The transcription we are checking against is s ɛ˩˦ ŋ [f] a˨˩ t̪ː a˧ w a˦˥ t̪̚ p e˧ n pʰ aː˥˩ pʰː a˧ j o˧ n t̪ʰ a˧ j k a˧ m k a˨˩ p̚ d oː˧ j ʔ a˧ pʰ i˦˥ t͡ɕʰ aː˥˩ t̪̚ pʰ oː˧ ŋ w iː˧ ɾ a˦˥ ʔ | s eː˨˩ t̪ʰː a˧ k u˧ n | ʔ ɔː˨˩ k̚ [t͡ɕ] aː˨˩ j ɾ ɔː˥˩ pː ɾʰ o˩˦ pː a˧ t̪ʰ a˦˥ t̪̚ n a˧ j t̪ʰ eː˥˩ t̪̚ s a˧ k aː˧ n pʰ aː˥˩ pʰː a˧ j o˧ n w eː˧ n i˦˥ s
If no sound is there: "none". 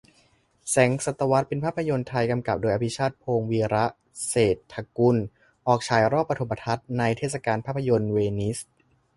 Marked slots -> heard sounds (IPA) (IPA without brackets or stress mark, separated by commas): s, t͡ɕʰ